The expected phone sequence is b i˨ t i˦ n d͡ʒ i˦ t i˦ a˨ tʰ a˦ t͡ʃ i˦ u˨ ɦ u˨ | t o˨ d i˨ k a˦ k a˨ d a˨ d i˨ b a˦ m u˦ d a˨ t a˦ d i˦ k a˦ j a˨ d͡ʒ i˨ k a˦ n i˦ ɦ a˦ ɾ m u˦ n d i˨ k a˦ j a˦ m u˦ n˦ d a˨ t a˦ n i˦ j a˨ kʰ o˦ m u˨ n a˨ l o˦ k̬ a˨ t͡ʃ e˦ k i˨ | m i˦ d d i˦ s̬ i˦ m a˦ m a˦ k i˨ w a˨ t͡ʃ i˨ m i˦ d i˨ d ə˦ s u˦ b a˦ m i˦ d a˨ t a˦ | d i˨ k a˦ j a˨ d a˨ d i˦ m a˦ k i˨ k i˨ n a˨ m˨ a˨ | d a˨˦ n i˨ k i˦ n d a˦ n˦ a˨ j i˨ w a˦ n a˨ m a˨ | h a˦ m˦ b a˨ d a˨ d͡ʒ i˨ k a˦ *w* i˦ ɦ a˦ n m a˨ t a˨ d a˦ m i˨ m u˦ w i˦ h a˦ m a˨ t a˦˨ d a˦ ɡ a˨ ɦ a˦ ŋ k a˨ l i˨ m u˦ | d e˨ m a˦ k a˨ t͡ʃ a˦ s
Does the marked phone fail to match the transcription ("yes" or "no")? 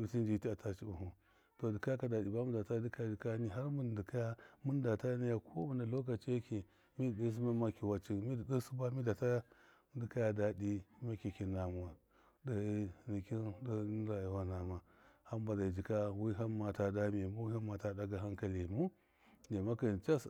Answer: no